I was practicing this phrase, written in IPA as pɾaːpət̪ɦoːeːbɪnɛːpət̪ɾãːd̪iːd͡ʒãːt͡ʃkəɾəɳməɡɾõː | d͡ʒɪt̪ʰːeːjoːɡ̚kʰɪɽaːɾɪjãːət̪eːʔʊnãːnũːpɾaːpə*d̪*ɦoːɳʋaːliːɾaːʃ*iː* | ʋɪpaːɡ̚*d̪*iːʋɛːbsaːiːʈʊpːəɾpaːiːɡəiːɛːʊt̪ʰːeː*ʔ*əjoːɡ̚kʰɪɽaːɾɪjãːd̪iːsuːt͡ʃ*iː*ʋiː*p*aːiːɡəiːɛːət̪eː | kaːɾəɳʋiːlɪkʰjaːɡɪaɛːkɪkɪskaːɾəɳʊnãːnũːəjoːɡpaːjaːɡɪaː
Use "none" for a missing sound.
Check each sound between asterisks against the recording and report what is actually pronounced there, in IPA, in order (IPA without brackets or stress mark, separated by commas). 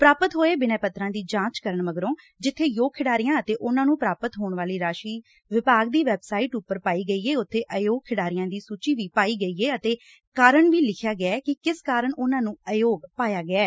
t̪, iː, d̪, ʔ, iː, p